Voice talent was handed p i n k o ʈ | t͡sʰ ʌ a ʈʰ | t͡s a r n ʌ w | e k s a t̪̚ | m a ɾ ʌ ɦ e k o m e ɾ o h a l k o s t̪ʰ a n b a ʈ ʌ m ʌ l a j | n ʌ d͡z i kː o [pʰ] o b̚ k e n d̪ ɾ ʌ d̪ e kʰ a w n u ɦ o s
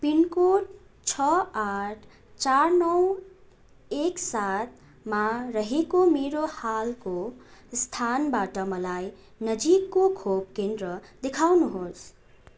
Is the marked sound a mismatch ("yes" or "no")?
yes